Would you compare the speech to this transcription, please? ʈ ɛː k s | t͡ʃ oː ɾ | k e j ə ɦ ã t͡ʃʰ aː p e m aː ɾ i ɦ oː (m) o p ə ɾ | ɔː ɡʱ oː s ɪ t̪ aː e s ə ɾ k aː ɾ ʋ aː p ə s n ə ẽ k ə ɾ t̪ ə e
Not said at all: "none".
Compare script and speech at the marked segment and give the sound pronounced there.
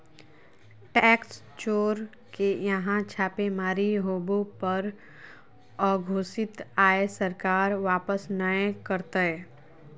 b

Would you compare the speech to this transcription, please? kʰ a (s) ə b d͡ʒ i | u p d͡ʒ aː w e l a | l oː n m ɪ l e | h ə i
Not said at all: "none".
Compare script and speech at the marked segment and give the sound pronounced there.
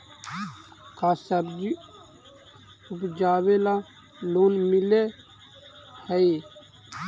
s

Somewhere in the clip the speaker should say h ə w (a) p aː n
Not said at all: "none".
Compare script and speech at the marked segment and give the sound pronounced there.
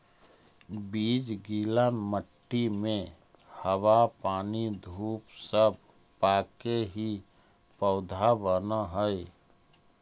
a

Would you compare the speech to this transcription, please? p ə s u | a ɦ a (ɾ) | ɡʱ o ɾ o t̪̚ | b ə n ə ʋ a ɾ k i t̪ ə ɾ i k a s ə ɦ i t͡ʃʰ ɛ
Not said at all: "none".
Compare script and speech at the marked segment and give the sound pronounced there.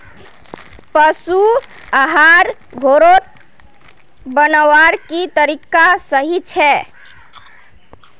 ɾ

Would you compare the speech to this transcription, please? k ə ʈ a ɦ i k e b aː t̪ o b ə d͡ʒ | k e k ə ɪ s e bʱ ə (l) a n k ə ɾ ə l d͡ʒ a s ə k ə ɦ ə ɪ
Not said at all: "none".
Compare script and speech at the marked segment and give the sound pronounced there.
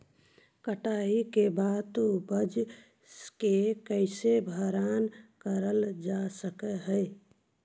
ɾ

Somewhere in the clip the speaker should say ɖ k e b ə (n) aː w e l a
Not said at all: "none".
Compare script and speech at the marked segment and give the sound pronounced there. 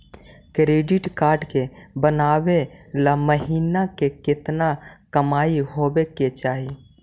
n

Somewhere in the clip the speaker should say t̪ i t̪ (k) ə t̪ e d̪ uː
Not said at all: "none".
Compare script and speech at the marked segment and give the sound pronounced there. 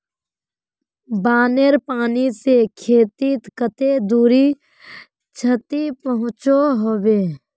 k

